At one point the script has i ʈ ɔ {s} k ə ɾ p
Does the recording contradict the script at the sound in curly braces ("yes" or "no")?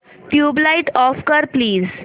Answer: yes